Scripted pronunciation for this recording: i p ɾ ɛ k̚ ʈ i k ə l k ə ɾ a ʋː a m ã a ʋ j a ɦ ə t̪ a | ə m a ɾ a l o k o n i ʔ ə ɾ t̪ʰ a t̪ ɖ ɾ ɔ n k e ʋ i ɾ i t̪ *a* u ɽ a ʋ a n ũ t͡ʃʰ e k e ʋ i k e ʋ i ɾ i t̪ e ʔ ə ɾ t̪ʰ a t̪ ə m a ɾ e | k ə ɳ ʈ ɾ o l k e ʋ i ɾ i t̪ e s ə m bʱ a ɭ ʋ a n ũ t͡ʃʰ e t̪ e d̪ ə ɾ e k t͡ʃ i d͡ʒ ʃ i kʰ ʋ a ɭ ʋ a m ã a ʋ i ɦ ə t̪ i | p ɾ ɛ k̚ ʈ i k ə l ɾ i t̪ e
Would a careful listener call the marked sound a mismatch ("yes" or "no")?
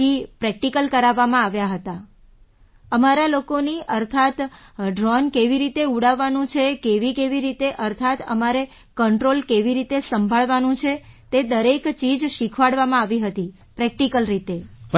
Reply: yes